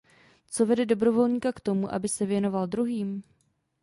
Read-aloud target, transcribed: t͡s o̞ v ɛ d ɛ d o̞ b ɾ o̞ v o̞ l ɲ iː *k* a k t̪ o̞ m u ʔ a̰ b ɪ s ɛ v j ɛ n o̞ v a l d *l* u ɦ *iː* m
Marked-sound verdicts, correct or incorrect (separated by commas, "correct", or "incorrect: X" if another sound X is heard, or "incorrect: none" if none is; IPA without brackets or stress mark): correct, incorrect: ɾ, correct